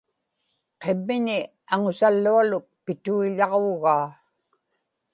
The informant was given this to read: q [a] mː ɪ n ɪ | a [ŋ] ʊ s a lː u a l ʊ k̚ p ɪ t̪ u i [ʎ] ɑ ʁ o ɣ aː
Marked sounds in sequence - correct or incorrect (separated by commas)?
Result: incorrect, correct, correct